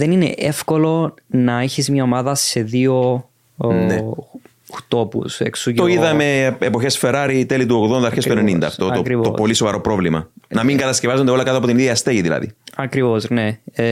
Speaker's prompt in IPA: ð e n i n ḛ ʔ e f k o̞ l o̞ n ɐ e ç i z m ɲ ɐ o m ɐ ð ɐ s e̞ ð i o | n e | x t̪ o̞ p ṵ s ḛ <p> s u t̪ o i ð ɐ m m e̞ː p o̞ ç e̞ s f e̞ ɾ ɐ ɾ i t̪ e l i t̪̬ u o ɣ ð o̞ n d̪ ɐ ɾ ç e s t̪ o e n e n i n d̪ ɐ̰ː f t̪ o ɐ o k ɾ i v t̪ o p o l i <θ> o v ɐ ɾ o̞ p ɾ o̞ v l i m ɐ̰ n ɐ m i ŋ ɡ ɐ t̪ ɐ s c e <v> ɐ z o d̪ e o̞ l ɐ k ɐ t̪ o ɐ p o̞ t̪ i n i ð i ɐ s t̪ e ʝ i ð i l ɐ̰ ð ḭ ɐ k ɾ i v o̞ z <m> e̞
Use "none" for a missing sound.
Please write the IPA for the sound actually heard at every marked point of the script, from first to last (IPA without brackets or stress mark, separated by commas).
k, s, v, n